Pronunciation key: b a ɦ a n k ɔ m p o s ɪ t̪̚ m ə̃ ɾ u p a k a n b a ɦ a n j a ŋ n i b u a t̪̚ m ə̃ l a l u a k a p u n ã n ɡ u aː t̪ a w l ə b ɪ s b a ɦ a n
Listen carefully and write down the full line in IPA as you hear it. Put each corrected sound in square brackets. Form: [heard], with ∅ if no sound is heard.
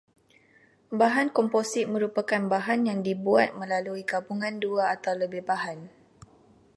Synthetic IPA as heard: b a ɦ a n k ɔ m p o s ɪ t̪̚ m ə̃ ɾ u p a k a n b a ɦ a n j a ŋ [d] i b u a t̪̚ m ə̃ l a l u [i] k a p u [ŋ] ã n [d] u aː t̪ a w l ə b ɪ [h] b a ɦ a n